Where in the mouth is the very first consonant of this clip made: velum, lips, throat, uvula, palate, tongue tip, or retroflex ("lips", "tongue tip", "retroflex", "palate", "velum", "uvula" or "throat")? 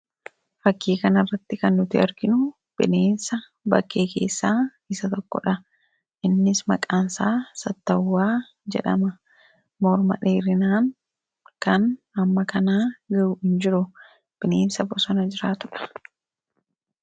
lips